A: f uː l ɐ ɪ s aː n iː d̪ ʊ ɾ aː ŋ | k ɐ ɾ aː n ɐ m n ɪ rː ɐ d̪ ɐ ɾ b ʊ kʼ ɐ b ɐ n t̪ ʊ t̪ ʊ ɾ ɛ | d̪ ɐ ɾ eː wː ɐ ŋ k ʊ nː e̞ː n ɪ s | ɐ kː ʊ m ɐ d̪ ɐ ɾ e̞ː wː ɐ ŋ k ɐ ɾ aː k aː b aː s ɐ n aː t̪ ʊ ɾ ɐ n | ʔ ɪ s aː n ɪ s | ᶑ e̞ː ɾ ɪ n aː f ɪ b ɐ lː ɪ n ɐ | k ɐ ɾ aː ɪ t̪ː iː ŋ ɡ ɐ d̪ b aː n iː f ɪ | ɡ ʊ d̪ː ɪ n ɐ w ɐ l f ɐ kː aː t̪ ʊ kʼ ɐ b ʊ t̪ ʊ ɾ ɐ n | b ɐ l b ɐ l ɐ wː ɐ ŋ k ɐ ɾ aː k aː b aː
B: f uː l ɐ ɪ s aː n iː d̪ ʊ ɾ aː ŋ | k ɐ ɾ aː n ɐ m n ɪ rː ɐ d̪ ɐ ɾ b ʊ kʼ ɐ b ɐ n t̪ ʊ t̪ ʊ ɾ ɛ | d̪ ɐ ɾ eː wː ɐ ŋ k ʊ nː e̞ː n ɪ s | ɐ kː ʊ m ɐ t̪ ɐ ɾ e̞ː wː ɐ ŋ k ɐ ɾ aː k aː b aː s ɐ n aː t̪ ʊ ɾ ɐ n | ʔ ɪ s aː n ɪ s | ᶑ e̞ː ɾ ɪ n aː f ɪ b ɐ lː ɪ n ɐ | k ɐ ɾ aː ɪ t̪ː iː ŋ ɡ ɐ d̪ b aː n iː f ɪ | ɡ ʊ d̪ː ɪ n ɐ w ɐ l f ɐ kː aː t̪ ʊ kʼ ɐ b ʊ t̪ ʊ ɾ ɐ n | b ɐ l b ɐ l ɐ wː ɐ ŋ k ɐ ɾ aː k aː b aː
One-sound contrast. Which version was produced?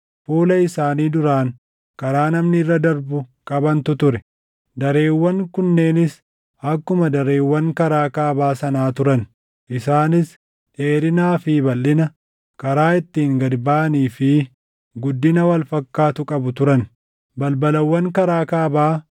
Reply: A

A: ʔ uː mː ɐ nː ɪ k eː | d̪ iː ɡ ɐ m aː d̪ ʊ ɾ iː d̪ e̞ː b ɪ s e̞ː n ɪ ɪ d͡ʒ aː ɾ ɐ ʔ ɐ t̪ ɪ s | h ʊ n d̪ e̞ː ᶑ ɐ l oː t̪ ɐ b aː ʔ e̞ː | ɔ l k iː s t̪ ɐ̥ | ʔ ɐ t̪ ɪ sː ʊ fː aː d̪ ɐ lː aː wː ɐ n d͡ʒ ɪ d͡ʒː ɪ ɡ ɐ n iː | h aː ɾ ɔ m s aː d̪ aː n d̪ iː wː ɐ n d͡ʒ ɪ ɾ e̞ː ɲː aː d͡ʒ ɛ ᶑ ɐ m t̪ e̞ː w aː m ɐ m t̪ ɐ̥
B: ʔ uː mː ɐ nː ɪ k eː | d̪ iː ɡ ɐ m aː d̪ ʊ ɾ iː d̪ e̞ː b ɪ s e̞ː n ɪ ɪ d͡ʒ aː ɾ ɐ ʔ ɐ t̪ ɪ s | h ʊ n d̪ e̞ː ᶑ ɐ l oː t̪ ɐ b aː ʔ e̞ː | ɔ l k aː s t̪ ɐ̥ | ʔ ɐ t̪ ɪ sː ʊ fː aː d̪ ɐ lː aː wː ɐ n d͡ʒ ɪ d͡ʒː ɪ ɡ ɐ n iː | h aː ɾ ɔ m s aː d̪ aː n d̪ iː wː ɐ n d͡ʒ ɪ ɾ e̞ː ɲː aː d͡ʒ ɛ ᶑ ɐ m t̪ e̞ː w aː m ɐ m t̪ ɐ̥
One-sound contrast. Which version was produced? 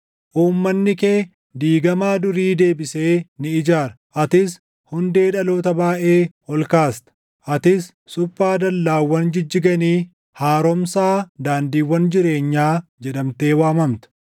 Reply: B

